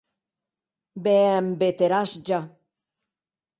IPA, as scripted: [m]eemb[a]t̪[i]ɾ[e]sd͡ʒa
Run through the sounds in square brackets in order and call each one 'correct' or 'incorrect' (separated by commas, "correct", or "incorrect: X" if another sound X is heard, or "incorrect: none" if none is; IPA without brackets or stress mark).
incorrect: b, incorrect: e, incorrect: e, incorrect: a